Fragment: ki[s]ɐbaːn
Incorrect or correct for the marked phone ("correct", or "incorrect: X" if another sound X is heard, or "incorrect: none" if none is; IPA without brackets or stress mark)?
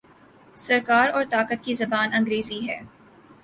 incorrect: z